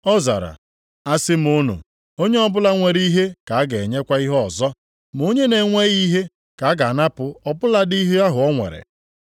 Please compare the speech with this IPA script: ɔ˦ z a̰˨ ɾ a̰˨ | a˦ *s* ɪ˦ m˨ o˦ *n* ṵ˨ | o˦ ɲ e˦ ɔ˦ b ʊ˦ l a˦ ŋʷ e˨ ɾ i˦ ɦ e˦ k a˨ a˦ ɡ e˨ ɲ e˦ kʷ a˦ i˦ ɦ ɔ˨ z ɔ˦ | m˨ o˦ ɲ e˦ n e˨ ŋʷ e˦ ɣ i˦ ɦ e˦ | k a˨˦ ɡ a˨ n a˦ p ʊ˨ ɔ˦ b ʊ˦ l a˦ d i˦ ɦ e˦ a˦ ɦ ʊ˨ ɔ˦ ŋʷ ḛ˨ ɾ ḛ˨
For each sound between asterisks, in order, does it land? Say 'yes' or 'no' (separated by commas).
yes, yes